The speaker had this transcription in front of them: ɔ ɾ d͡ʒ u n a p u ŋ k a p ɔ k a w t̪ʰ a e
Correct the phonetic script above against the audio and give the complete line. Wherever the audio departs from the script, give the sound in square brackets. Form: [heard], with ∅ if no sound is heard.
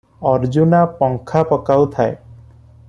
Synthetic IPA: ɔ ɾ d͡ʒ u n a p [ɔ] ŋ [kʰ] a p ɔ k a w t̪ʰ a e